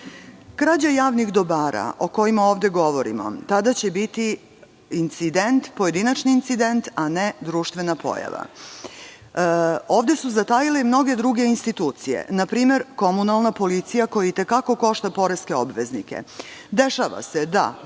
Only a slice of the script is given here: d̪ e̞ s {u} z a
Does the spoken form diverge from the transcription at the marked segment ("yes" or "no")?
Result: no